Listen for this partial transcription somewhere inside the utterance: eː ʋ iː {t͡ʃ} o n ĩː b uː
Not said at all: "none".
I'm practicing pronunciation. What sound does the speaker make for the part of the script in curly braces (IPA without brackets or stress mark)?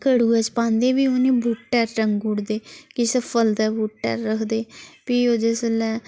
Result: none